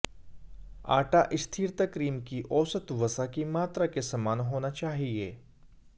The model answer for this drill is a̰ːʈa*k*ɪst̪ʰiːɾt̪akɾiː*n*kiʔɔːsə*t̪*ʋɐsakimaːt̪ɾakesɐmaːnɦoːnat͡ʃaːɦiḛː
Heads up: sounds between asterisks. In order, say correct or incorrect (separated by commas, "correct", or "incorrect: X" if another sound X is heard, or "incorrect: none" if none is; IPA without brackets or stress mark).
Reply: incorrect: ʔ, incorrect: m, correct